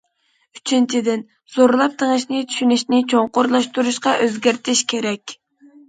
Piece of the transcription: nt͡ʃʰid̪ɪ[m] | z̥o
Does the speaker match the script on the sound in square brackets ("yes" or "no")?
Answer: no